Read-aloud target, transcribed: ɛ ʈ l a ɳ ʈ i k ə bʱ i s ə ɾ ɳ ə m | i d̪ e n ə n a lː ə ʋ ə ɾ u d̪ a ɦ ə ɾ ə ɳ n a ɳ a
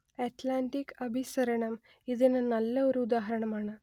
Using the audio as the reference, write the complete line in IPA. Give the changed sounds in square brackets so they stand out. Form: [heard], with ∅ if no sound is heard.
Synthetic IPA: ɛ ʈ l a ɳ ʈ i k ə bʱ i s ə ɾ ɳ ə m | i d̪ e n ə n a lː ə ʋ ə ɾ u d̪ a ɦ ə ɾ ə ɳ [m] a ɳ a